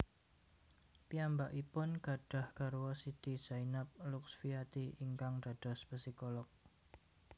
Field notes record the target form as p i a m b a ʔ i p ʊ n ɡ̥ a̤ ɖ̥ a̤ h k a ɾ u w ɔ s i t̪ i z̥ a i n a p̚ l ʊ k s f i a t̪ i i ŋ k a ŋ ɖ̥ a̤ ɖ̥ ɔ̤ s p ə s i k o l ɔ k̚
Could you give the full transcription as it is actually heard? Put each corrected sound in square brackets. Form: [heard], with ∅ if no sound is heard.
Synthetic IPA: p i a m b a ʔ i p ʊ n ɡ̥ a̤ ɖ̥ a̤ h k a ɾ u w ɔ s i t̪ i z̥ a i n a p̚ l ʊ k s f i a t̪ i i ŋ k a ŋ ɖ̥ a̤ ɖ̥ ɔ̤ s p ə s i k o l ɔ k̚